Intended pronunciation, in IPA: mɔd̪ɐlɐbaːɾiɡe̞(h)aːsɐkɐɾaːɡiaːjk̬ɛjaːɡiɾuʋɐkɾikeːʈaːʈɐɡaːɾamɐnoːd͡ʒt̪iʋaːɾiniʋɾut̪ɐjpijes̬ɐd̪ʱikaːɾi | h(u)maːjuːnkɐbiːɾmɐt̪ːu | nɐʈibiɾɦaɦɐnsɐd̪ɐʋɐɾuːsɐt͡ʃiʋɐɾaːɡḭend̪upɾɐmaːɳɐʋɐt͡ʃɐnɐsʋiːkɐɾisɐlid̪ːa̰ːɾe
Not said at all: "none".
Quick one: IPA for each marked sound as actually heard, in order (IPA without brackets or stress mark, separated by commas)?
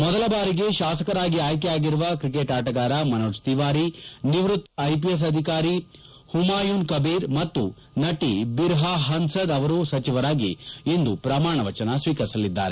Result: ʃ, u